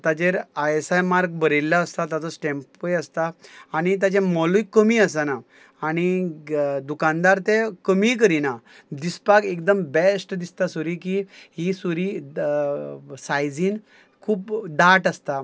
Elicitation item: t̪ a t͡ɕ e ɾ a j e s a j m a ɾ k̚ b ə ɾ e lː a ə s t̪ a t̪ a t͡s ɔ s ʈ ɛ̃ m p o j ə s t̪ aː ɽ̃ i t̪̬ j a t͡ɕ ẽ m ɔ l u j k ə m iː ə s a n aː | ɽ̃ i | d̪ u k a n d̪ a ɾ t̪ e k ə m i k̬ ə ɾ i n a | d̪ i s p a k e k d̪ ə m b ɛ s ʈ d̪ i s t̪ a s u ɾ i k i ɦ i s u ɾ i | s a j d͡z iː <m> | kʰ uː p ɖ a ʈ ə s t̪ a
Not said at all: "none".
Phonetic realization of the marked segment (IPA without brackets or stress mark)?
n